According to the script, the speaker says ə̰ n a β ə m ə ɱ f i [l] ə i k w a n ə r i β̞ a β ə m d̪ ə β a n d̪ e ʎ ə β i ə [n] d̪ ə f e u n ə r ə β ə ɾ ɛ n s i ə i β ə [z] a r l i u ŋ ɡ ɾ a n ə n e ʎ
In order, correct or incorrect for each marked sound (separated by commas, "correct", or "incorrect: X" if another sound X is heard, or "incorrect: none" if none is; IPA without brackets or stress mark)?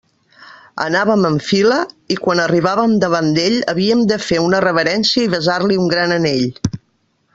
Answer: correct, incorrect: m, correct